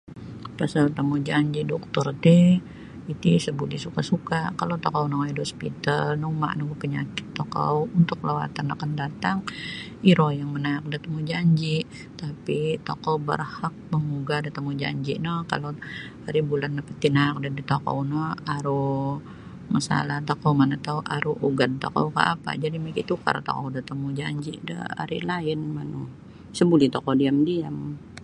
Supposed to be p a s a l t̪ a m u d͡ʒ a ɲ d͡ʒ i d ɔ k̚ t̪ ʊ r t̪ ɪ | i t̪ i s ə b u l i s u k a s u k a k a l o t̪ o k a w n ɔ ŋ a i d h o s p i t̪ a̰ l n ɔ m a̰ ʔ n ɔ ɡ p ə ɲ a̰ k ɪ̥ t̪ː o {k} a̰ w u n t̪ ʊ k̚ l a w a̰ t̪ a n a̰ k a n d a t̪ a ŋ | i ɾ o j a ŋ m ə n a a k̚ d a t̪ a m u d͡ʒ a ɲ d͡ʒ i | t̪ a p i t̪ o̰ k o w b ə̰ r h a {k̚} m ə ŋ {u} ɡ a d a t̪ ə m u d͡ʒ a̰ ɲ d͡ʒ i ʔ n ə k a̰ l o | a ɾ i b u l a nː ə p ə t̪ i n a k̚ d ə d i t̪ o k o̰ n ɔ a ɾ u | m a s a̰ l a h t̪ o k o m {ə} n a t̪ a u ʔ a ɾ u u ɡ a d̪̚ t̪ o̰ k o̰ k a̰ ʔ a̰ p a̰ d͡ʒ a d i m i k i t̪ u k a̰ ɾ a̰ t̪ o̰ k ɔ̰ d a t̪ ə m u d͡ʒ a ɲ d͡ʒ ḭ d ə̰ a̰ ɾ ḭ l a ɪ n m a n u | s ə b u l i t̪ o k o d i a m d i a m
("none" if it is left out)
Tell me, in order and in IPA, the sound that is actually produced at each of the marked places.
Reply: k, k̚, u, a

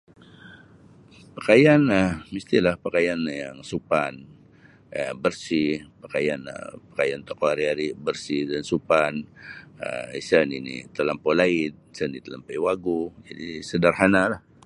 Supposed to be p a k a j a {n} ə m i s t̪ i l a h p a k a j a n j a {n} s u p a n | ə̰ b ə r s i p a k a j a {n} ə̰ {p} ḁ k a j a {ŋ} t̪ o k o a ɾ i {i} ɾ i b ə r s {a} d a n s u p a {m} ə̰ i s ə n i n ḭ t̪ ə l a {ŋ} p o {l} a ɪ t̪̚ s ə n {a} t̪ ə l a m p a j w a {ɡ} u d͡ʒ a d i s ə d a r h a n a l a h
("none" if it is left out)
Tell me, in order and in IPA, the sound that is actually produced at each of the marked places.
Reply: n, ŋ, n, p, n, a, i, n, m, l, i, ɡ

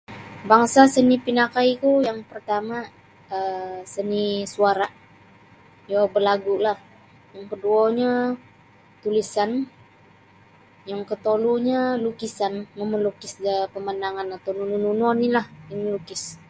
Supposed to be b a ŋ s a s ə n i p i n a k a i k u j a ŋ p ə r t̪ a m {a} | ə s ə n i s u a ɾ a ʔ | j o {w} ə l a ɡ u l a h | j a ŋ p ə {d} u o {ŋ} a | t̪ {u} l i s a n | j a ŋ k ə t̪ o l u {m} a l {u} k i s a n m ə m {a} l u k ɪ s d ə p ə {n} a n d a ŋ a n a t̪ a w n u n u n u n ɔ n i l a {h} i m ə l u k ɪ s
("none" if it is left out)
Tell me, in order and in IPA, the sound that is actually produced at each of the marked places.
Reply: a, b, d, ɲ, u, ɲ, u, ə, m, h

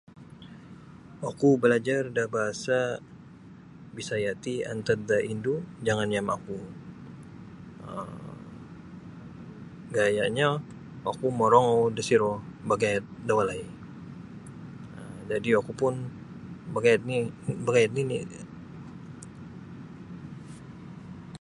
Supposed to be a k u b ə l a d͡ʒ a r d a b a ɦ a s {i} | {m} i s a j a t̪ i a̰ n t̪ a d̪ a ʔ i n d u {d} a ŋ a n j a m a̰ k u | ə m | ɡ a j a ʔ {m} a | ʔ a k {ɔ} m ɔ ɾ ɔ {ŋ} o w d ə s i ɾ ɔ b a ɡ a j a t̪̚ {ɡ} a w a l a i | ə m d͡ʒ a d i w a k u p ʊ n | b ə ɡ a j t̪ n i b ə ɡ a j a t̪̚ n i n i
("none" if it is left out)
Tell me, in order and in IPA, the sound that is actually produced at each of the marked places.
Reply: a, b, d͡ʒ, ɲ, u, ŋ, d

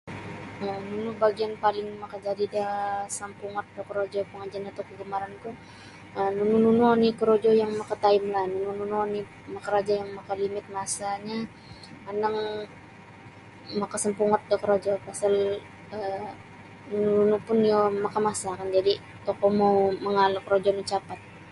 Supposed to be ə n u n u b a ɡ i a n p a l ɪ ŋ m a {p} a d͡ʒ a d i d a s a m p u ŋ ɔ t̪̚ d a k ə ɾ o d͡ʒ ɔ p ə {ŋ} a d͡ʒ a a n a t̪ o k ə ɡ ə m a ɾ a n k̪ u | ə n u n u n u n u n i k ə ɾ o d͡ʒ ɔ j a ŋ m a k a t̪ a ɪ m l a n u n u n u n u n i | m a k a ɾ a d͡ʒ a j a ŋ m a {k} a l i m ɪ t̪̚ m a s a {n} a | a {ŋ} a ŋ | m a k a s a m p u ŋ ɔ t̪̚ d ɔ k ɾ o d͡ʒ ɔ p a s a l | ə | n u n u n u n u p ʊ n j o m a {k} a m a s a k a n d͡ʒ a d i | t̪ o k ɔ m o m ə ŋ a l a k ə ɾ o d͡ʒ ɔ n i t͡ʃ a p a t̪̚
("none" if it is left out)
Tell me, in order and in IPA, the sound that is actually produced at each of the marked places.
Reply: k, ŋ, k, ɲ, n, k

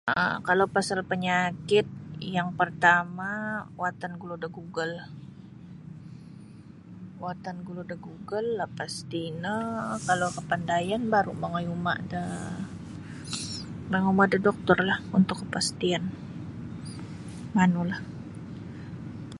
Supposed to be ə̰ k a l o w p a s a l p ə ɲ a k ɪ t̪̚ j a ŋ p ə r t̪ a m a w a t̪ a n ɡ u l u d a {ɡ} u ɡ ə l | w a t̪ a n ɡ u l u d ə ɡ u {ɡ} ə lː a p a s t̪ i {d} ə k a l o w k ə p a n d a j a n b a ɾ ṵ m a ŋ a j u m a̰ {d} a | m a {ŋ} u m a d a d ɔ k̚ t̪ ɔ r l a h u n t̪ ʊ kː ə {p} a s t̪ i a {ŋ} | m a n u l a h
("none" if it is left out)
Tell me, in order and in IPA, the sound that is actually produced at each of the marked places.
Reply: ɡ, ɡ, n, d, ŋ, p, n

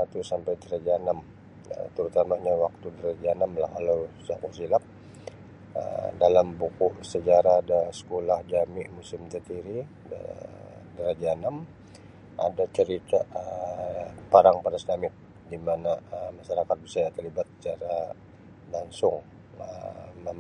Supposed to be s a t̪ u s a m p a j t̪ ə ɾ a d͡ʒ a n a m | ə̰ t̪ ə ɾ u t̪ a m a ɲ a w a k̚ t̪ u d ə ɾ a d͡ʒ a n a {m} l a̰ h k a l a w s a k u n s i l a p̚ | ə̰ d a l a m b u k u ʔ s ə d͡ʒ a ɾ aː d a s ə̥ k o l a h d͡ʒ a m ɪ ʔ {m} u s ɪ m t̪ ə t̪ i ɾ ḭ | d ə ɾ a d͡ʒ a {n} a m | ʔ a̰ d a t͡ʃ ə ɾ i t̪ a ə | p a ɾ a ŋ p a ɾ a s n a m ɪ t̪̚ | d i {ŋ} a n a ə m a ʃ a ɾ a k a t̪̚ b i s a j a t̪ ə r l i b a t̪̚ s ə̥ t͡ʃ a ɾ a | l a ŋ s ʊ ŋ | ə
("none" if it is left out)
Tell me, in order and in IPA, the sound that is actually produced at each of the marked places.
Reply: m, m, n, m

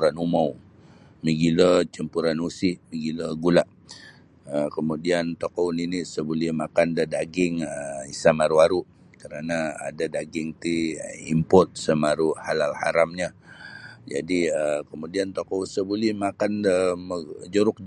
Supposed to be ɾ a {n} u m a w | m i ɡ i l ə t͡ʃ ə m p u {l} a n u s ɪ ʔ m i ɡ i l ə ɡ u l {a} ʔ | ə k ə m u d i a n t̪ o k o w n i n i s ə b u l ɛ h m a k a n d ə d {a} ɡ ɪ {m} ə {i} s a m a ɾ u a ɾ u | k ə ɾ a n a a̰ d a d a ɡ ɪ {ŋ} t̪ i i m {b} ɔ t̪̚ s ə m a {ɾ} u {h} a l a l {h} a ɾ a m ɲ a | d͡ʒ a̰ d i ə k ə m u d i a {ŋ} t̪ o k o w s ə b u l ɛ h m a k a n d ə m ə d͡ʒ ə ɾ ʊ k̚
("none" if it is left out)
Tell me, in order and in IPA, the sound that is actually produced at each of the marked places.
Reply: n, ɾ, a, a, ŋ, i, ŋ, p, ɾ, h, h, n

